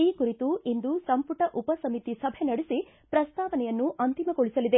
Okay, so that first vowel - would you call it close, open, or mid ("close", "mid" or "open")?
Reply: close